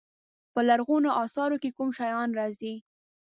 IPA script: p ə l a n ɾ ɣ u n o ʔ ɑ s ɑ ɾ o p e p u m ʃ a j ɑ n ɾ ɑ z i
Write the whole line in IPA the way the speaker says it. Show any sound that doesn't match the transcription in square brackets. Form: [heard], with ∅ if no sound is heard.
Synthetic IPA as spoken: p ə l a [∅] ɾ ɣ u n o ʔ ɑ s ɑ ɾ o [k] e [k] u m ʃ a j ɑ n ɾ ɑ z i